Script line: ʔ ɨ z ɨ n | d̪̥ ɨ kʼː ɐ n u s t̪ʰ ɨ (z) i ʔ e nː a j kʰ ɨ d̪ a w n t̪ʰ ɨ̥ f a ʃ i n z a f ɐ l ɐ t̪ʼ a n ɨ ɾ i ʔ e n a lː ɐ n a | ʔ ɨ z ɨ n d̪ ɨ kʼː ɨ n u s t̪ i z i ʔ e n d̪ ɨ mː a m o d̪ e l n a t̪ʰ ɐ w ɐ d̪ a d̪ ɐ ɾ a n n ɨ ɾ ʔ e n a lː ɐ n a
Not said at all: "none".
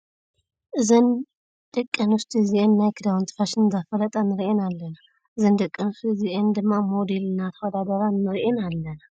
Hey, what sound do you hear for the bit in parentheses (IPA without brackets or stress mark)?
z